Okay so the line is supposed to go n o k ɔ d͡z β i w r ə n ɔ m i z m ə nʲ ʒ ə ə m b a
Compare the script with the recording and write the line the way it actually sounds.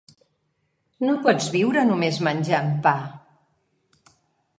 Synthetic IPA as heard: n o p ɔ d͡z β i w ɾ ə n u m e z m ə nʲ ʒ a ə m p a